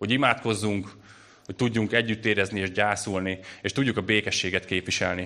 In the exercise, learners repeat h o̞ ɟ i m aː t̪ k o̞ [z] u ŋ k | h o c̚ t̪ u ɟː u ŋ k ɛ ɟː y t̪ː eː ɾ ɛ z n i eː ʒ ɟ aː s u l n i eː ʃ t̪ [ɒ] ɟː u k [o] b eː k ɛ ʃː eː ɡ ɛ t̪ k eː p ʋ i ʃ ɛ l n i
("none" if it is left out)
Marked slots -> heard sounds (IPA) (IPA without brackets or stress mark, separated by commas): zː, u, ɒ